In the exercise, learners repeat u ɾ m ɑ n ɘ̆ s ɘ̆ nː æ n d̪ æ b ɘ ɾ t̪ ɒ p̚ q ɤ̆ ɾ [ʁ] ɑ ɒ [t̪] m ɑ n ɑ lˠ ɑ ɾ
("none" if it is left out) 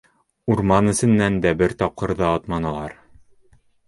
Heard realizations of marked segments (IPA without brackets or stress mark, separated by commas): ð, t̪